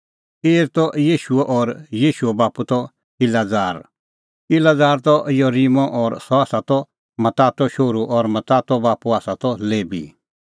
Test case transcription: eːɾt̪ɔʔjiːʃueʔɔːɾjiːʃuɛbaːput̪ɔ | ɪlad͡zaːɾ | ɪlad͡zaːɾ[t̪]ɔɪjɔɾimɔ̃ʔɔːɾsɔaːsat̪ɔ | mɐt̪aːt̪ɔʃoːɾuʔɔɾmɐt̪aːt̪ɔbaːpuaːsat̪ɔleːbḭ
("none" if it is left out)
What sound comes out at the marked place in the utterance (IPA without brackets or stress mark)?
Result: t̪